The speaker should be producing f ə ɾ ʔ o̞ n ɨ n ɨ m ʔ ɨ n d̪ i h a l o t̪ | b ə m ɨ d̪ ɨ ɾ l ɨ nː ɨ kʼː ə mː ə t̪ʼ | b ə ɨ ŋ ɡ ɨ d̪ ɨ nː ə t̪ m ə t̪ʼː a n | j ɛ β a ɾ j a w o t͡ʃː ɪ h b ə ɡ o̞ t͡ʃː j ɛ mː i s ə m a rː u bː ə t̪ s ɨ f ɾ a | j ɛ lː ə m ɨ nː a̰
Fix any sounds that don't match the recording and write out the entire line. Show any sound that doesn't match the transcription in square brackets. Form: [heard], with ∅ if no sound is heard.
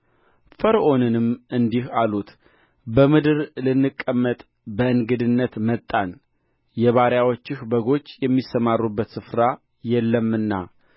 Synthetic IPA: f ə ɾ ʔ o̞ n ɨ n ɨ m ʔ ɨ n d̪ i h a l [u] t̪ | b ə m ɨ d̪ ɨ ɾ l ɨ nː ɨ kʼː ə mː ə t̪ʼ | b ə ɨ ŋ ɡ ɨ d̪ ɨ nː ə t̪ m ə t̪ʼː a n | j ɛ β a ɾ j a w o t͡ʃː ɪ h b ə ɡ o̞ t͡ʃː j ɛ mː i s ə m a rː u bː ə t̪ s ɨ f ɾ a | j ɛ lː ə m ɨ nː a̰

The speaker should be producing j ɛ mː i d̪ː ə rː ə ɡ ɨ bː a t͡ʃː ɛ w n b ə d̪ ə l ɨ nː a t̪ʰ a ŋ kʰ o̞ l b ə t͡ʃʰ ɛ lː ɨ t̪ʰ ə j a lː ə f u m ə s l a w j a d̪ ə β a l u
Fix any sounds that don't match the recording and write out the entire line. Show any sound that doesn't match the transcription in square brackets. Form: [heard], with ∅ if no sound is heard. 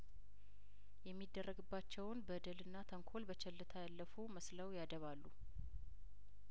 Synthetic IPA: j ɛ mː i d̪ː ə rː ə ɡ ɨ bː a t͡ʃː ɛ w n b ə d̪ ə l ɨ nː a t̪ʰ [ə] ŋ kʰ o̞ l b ə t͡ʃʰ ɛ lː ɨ t̪ʰ [a] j a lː ə f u m ə s l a w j a d̪ ə β a [lː] u

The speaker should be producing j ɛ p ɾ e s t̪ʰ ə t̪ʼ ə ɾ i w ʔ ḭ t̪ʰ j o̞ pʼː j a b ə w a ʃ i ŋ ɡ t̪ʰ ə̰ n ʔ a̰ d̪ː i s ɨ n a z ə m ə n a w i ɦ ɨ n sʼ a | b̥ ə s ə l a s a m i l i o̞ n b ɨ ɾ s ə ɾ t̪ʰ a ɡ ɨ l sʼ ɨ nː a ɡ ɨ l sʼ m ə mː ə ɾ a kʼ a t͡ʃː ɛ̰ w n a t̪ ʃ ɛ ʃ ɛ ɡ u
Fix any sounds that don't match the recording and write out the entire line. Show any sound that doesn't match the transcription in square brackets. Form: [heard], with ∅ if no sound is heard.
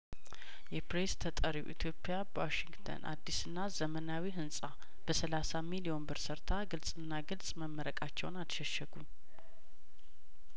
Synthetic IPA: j ɛ p ɾ e s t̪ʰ ə t̪ʼ ə ɾ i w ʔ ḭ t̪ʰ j o̞ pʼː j a b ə w a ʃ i ŋ ɡ t̪ʰ ə̰ n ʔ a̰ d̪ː i s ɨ [nː] a z ə m ə n a w i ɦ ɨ n sʼ a | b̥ ə s ə l a s a m i l i o̞ n b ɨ ɾ s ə ɾ t̪ʰ a ɡ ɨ l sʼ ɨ nː a ɡ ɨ l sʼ m ə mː ə ɾ [ə] kʼ a t͡ʃː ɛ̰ w n a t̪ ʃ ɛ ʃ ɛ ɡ u

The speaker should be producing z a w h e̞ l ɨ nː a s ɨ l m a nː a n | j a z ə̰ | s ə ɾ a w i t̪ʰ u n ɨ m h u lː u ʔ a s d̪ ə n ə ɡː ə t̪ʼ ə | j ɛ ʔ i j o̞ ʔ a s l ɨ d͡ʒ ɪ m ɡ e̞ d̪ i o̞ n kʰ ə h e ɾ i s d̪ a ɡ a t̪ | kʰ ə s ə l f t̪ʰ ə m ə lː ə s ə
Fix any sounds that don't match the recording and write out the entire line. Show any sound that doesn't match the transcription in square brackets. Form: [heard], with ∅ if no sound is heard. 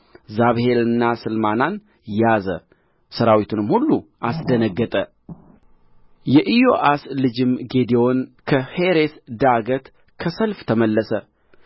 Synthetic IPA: z a [β] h e̞ l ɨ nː a s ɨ l m a [n] a n | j a z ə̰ | s ə ɾ a w i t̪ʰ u n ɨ m h u lː u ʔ a s d̪ ə n ə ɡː ə t̪ʼ ə | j ɛ ʔ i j o̞ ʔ a s l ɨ d͡ʒ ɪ m ɡ e̞ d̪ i o̞ n kʰ ə h e ɾ [e] s d̪ a ɡ [ə] t̪ | kʰ ə s ə l f t̪ʰ ə m ə lː ə s ə

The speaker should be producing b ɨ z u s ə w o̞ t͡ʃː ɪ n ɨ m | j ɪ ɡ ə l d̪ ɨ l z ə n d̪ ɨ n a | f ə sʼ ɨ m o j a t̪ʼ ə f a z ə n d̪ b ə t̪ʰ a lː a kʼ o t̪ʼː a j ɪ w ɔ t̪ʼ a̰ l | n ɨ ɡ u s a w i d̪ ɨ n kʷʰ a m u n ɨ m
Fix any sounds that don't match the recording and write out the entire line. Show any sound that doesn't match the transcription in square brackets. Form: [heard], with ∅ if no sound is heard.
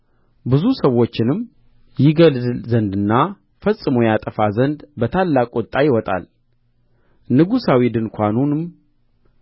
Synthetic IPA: b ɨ z u s ə w o̞ t͡ʃː ɪ n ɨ m | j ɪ ɡ ə l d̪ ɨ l z ə n d̪ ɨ [nː] a | f ə sʼ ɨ m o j a t̪ʼ ə f a z ə n d̪ b ə t̪ʰ a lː a kʼ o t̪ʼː a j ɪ w ɔ t̪ʼ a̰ l | n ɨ ɡ u s a w i d̪ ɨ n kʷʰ a [n] u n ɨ m

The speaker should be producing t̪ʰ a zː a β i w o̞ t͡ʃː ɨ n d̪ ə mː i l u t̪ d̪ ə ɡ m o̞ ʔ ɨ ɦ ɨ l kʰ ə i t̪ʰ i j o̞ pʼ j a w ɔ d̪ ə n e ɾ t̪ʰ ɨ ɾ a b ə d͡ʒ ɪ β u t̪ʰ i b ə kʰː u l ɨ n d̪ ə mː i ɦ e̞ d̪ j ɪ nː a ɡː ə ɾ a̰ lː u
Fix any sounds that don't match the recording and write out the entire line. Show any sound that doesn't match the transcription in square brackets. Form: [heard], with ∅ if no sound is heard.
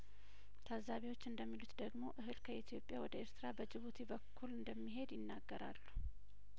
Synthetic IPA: t̪ʰ a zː a β i w o̞ t͡ʃː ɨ n d̪ ə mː i l u t̪ d̪ ə ɡ m o̞ ʔ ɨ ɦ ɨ l kʰ ə i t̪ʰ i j o̞ pʼ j a w ɔ d̪ ə [∅] e ɾ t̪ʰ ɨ ɾ a b ə d͡ʒ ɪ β u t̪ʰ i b ə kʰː u l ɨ n d̪ ə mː i ɦ e̞ d̪ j ɪ nː a ɡː ə ɾ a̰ lː u

